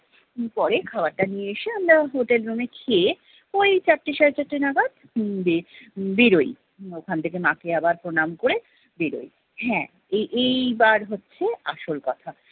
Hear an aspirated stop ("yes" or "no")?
yes